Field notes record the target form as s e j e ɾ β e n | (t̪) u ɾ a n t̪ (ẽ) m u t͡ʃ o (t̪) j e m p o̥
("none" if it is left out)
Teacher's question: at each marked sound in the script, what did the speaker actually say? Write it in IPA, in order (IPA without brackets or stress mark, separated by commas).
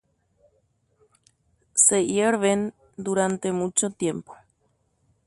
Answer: d̪, e, t̪